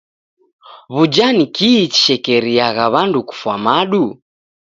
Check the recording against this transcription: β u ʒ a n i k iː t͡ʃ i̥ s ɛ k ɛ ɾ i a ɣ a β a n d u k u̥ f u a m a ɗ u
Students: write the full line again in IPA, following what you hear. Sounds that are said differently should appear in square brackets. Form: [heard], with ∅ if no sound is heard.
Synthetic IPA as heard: β u [d͡ʒ] a n i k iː t͡ʃ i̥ [ʃ] ɛ k ɛ ɾ i a ɣ a β a n d u k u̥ f [w] a m a ɗ u